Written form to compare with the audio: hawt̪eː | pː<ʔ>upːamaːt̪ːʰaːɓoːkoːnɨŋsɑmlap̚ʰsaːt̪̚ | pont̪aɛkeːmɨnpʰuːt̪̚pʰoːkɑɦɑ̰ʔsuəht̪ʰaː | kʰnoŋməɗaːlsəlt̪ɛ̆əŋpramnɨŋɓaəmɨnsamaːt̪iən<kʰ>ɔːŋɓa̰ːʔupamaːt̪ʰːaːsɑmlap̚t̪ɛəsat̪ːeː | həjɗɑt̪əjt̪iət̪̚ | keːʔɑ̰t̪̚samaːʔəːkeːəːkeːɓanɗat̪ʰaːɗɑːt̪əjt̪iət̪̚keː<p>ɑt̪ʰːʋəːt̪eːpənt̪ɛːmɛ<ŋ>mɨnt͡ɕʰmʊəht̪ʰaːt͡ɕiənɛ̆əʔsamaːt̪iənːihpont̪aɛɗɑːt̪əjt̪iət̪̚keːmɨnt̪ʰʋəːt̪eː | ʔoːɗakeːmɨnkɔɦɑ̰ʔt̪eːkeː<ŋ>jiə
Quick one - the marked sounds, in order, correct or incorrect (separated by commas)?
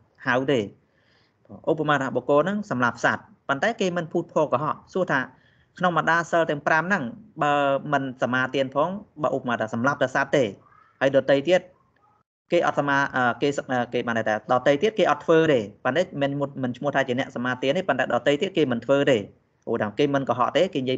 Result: correct, incorrect, incorrect, incorrect, incorrect